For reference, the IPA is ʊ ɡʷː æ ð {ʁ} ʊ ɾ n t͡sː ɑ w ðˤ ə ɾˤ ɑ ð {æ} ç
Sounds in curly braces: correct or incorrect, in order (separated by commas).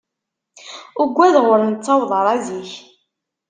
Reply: correct, incorrect